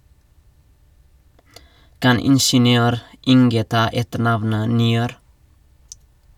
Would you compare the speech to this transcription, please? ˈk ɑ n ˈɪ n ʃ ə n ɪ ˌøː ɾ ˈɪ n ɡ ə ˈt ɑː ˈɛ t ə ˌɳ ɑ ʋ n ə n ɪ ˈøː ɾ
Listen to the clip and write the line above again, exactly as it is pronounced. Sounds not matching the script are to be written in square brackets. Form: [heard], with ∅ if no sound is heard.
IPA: ˈk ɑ n ˈɪ n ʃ ə n ɪ ˌøː ɾ ˈɪ [ŋ] ɡ ə ˈt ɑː ˈɛ t ə ˌɳ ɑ ʋ n ə n ɪ ˈøː ɾ